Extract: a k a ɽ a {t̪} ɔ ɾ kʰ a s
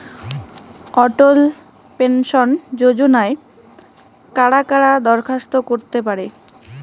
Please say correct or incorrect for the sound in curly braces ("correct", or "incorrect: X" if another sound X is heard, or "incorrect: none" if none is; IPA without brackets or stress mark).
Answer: incorrect: d̪